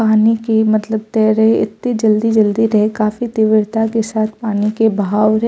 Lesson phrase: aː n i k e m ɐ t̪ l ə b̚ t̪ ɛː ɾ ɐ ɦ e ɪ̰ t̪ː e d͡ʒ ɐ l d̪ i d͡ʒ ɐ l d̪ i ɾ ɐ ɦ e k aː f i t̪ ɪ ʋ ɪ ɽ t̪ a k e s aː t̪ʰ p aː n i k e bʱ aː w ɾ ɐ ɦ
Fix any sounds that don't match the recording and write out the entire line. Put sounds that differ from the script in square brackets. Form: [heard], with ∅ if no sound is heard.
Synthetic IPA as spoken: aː n i k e m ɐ t̪ l ə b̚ t̪ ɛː ɾ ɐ ɦ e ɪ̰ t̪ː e d͡ʒ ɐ l d̪ i d͡ʒ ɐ l d̪ i ɾ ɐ ɦ e k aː f i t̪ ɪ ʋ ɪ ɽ t̪ a k e s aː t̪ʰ p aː n i k e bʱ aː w ɾ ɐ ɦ